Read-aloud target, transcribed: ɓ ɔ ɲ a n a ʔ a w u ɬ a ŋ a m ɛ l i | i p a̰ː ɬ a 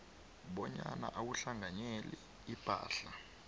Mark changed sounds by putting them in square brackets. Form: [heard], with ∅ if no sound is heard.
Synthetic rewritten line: ɓ ɔ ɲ a n a ʔ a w u ɬ a ŋ a [ɲ] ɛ l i | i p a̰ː ɬ a